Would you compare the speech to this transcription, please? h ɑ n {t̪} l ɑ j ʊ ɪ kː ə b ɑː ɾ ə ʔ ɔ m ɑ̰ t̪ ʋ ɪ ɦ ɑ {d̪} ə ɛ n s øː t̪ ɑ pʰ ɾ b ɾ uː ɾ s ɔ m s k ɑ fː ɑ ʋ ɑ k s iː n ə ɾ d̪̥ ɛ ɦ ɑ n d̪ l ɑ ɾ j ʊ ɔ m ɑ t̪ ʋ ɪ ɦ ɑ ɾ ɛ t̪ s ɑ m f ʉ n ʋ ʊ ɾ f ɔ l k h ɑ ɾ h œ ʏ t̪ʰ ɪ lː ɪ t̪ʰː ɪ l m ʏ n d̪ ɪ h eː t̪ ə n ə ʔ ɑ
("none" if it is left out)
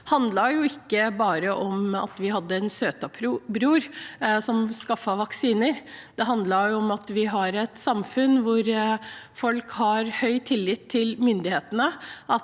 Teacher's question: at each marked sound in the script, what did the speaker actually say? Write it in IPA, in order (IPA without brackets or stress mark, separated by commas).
d̪, d̪ː